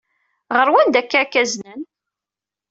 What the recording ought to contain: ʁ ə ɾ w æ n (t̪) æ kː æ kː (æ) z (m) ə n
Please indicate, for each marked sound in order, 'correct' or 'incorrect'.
incorrect: d̪, correct, incorrect: n

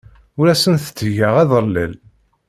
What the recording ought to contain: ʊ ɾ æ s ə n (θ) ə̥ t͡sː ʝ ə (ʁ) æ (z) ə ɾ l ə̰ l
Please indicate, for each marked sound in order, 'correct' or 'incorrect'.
correct, correct, incorrect: ð

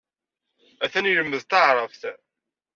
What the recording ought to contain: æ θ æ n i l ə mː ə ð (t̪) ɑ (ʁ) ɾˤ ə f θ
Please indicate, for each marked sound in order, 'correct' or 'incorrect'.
correct, incorrect: ʕ

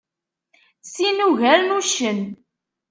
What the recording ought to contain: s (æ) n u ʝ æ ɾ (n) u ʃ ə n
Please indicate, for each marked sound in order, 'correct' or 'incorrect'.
incorrect: i, correct

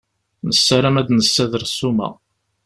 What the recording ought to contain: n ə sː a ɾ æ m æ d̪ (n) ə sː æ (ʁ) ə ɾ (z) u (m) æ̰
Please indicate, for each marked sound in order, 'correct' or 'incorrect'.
correct, incorrect: ð, incorrect: s, correct

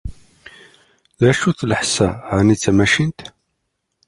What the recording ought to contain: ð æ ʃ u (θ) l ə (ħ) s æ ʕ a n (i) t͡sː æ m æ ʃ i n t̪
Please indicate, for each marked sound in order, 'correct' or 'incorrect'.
correct, correct, correct

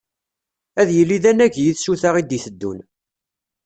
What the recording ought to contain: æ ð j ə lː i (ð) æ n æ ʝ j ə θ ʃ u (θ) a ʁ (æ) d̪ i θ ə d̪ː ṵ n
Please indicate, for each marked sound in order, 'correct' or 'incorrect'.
correct, correct, incorrect: i

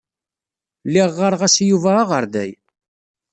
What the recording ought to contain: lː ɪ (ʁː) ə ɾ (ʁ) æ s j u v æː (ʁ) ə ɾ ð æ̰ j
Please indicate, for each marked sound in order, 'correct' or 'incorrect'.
correct, correct, correct

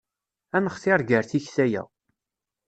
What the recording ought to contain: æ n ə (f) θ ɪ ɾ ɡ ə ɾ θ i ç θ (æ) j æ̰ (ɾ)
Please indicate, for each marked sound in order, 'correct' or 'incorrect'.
incorrect: χ, correct, incorrect: none

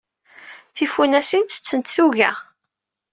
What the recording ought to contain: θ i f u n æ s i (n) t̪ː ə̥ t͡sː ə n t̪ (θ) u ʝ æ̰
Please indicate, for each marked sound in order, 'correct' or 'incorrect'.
correct, correct

